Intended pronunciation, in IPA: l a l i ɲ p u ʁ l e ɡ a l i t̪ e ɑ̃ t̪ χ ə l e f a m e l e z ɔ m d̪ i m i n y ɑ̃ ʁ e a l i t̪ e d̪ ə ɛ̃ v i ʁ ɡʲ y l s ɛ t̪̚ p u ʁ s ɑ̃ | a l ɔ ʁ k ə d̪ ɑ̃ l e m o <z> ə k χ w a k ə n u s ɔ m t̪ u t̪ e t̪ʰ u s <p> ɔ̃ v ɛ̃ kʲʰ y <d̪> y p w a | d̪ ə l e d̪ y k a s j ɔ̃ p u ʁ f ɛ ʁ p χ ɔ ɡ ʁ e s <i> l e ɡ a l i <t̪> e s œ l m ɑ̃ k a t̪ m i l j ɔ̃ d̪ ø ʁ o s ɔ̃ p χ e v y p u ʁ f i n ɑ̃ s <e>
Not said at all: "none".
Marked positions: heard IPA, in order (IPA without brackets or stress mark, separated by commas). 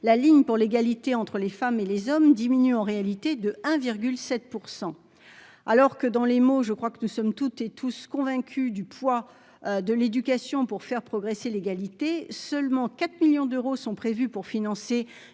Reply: ʒ, k, d̪, e, t̪, e